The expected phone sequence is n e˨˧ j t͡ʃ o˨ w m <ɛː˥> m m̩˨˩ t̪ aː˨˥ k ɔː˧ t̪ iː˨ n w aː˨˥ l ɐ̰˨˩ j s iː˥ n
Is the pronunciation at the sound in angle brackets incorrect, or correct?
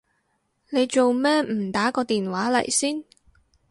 correct